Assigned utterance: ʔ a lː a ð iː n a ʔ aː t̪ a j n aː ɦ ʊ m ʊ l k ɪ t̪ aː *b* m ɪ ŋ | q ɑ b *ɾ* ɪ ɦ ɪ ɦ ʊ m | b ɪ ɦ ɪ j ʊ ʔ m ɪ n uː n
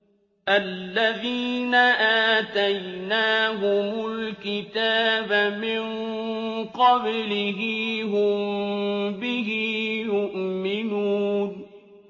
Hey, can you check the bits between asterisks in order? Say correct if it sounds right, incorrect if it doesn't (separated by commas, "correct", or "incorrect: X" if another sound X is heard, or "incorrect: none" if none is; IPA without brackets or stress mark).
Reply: correct, incorrect: l